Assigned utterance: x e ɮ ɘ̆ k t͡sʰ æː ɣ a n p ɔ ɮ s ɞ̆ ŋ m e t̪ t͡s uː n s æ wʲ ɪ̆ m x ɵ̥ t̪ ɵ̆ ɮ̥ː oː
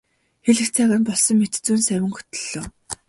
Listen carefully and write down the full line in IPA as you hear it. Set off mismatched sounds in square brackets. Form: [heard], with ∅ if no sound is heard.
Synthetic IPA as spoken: x e ɮ ɘ̆ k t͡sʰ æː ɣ a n p ɔ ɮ s ɞ̆ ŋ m e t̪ t͡s uː n s æ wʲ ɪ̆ [ŋ] x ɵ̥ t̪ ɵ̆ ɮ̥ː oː